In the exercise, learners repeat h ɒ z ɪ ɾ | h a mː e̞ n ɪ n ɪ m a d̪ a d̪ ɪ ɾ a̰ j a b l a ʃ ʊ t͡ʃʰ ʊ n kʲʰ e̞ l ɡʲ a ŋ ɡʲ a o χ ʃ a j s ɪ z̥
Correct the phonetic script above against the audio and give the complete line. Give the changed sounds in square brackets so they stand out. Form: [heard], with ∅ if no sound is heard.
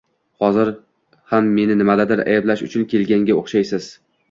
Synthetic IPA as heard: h ɒ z ɪ ɾ | h a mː e̞ n ɪ n ɪ m a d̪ a d̪ ɪ ɾ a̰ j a b l a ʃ ʊ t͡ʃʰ ʊ n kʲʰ e̞ l ɡʲ a ŋ ɡʲ a o χ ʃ a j s ɪ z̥